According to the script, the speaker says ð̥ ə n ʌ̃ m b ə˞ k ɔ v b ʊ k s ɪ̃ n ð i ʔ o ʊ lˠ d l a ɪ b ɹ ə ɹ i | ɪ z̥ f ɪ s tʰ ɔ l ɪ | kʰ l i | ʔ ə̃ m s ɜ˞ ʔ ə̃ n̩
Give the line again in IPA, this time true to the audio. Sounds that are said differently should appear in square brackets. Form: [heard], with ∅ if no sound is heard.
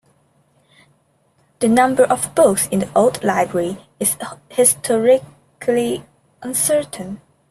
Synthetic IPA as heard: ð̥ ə n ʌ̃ m b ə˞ [ʔ] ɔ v b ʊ k s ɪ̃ n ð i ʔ o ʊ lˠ d l a ɪ b ɹ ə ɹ i | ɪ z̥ [h] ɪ s tʰ ɔ [ɹ] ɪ | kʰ l i | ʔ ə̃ [n] s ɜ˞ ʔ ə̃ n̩